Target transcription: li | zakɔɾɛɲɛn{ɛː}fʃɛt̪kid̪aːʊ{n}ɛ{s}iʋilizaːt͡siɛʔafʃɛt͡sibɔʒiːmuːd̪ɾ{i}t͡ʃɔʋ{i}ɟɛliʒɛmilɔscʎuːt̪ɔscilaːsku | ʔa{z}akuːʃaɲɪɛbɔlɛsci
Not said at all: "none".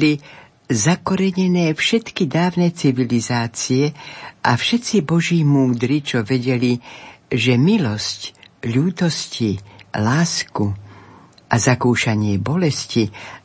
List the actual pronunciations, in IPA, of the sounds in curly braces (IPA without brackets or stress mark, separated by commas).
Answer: ɛː, n, t͡s, i, ɛ, z